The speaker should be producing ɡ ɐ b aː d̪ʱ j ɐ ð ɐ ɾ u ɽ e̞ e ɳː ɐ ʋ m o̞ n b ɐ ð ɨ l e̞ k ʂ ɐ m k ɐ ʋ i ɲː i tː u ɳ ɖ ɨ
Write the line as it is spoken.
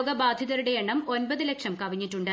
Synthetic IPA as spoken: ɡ ɐ b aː d̪ʱ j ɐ ð ɐ ɾ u ɽ e̞ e ɳː ɐ m o̞ n b ɐ ð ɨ l e̞ k ʂ ɐ m k ɐ ʋ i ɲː i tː u ɳ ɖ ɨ

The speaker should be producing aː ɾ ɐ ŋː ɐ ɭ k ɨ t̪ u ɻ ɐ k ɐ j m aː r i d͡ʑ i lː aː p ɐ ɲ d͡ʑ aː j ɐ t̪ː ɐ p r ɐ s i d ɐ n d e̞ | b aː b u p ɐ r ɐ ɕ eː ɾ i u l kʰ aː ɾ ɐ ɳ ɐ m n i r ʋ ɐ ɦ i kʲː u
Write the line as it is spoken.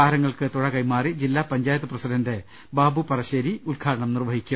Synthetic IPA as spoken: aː ɾ ɐ ŋː ɐ ɭ k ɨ t̪ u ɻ ɐ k ɐ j m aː r i d͡ʑ i lː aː p ɐ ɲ d͡ʑ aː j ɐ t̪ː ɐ p r ɐ s i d ɐ n d e̞ | b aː b u p ɐ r ɐ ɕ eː ɾ i u l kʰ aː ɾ ɐ ɳ ɐ m n i r ʋ ɐ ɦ i kʲː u

